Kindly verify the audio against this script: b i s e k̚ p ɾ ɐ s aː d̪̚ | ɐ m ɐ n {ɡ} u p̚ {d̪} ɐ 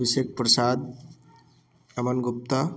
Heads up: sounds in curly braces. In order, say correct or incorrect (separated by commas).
correct, incorrect